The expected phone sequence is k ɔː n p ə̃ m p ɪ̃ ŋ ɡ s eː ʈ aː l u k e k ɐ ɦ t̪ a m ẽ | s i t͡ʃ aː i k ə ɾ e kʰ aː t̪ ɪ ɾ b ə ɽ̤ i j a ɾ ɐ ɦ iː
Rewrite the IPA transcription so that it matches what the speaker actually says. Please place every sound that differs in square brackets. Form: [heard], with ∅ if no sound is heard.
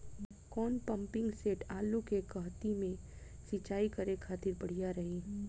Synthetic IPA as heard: k ɔː n p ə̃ m p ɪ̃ ŋ ɡ s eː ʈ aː l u k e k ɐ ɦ t̪ [i] m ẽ | s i t͡ʃ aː i k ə ɾ e kʰ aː t̪ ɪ ɾ b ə ɽ̤ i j a ɾ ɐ ɦ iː